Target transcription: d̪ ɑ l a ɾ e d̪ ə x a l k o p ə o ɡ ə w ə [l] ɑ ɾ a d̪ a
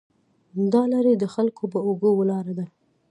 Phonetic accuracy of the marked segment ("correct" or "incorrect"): correct